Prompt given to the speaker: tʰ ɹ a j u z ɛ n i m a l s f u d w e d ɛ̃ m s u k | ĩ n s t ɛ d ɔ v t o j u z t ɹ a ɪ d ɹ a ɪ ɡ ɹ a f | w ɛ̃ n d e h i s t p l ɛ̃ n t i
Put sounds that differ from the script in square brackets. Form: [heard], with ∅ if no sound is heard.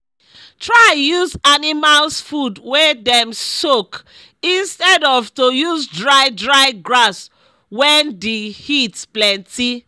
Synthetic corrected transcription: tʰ ɹ a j u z [a] n i m a l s f u d w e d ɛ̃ m s [o] k | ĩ n s t ɛ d ɔ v t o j u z [d] ɹ a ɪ d ɹ a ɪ ɡ ɹ a [s] | w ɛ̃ n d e h i [∅] t p l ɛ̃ n t i